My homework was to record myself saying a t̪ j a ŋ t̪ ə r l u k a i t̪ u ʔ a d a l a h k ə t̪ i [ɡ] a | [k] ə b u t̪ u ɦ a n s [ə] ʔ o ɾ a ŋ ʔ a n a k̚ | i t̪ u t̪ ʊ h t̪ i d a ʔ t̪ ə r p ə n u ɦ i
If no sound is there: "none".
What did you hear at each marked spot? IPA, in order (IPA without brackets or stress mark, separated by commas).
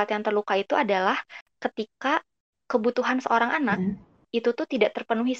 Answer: k, k, ə